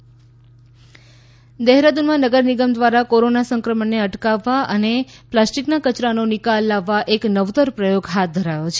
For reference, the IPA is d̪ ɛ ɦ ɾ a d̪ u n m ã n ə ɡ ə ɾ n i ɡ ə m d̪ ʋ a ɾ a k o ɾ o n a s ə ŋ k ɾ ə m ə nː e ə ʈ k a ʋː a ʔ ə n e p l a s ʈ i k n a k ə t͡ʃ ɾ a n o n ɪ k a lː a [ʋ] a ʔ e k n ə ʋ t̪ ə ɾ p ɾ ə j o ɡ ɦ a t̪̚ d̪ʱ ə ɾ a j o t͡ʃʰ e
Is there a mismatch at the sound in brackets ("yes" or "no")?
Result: yes